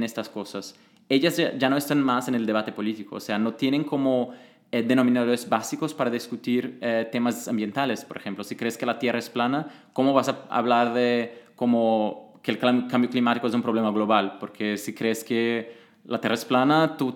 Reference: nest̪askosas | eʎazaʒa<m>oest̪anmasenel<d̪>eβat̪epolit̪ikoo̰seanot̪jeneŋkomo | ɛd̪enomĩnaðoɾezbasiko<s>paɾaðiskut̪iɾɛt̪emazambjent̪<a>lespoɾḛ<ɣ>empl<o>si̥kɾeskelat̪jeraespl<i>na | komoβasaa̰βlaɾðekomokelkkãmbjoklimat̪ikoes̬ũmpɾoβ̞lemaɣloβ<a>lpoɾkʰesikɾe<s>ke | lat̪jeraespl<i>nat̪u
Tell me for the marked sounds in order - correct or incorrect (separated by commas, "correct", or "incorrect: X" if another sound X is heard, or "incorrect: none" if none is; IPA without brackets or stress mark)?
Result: incorrect: n, correct, correct, correct, incorrect: x, correct, incorrect: a, correct, correct, incorrect: a